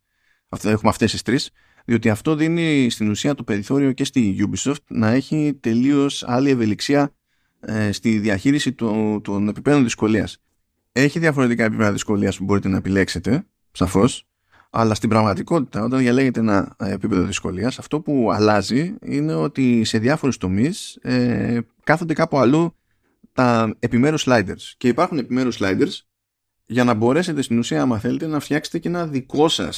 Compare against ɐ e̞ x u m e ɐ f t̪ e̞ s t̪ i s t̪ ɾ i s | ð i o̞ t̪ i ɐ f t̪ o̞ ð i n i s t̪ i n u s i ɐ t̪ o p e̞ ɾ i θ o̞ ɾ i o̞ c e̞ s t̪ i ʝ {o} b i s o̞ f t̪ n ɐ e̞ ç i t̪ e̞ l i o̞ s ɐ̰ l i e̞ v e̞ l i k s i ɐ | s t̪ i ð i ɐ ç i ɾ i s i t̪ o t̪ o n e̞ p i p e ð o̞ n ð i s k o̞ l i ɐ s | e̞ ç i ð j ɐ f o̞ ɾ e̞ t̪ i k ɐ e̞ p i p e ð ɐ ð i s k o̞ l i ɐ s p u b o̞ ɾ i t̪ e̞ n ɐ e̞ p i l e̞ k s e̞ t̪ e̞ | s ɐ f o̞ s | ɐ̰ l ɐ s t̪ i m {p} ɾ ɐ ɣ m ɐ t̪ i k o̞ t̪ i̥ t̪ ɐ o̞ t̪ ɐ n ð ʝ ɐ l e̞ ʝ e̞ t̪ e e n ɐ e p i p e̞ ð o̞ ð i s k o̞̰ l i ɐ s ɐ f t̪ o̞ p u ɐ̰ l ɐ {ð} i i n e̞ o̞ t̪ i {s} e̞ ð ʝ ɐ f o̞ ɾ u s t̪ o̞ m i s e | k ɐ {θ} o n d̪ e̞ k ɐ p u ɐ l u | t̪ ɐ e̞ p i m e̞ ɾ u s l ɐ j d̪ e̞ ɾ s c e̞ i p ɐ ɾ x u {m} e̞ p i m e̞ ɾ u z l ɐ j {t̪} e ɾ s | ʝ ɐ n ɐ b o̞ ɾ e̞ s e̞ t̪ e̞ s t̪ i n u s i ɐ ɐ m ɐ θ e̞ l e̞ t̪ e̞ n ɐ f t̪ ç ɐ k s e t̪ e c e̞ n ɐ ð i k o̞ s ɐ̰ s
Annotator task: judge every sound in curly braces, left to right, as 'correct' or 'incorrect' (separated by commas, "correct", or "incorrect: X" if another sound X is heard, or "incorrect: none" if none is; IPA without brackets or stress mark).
incorrect: u, incorrect: b, incorrect: z, correct, correct, incorrect: n, incorrect: d̪